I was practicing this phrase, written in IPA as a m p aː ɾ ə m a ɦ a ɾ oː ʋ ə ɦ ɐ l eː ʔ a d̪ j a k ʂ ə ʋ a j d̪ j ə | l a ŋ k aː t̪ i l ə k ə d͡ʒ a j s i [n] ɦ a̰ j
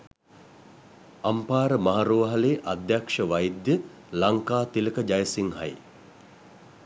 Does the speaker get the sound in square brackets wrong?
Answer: yes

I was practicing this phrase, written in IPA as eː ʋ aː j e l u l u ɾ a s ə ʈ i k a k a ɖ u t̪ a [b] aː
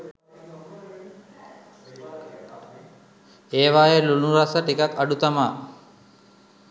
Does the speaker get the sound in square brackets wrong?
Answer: yes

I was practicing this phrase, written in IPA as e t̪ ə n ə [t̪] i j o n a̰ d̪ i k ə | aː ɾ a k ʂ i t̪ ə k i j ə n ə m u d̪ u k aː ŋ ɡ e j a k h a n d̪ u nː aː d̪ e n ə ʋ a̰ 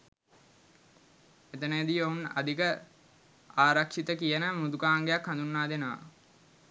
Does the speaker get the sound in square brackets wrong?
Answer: yes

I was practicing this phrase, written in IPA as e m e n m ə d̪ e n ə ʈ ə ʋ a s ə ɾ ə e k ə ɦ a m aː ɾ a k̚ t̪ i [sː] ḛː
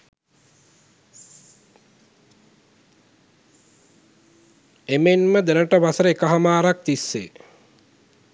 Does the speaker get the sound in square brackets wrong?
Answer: no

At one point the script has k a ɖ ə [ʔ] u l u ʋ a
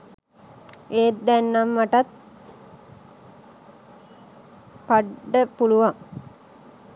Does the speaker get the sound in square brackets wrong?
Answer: yes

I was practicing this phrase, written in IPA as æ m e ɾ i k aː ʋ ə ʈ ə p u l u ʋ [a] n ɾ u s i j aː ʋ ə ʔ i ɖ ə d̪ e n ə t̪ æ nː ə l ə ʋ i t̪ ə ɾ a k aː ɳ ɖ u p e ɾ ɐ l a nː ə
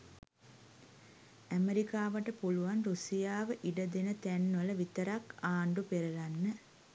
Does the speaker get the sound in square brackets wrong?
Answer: no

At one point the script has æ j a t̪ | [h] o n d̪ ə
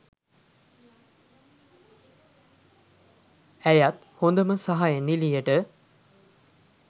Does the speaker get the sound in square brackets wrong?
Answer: no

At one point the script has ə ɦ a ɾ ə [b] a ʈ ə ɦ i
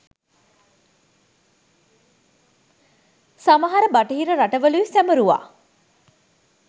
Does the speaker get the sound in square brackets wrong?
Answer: no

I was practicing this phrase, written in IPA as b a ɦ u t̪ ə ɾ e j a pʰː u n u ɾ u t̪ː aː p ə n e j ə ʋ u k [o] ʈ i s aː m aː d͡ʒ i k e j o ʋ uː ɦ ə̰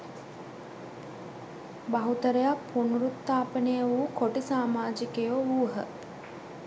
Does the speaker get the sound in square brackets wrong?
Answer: no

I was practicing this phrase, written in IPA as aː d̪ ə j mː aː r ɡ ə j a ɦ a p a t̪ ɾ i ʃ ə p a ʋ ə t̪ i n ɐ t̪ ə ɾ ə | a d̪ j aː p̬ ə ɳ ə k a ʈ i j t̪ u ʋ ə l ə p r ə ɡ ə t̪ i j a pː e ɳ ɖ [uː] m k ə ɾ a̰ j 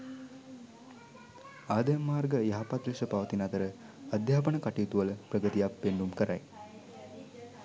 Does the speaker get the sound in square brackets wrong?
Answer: yes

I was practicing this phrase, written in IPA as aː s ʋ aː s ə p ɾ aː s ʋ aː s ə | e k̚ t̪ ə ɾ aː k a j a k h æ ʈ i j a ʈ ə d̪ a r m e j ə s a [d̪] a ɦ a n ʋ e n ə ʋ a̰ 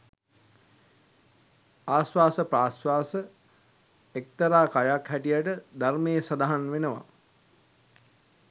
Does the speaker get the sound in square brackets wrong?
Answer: no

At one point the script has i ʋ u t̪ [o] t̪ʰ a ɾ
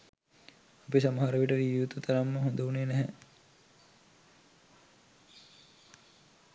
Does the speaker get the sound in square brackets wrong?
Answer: yes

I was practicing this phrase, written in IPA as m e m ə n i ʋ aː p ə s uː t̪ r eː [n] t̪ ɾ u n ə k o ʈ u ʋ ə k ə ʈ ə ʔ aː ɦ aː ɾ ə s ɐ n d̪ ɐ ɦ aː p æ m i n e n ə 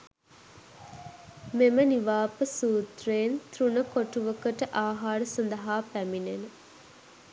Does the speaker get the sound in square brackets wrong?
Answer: no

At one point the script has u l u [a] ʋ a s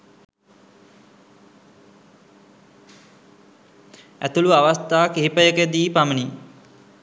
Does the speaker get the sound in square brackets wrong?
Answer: no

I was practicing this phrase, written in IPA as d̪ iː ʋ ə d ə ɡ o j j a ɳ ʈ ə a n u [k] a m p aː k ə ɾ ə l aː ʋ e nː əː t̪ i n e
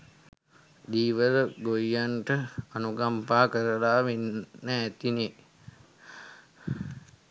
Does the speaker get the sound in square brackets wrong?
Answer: yes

